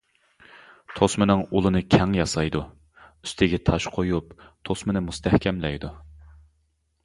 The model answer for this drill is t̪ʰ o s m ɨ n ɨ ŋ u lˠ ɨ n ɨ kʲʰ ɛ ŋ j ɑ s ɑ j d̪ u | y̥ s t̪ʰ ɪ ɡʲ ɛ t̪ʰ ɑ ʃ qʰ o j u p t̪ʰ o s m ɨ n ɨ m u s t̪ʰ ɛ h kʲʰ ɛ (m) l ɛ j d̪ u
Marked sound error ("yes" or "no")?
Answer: no